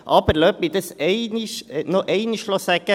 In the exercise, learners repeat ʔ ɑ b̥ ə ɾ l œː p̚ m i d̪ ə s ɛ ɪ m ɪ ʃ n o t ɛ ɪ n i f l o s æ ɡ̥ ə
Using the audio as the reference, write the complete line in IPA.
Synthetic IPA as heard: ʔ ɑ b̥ ə ɾ l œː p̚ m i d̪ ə s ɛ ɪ n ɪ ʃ n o ʔ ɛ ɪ n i ʃ l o s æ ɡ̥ ə